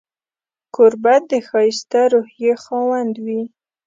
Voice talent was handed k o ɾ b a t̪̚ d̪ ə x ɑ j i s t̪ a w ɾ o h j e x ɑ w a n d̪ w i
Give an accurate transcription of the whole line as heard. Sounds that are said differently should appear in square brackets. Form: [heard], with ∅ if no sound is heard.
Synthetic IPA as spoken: k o ɾ b a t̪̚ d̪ ə x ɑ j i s t̪ a [∅] ɾ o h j e x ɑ w a n d̪ w i